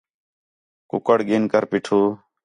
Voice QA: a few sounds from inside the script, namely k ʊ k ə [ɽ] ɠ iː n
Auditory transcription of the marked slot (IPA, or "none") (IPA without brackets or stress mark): ɽ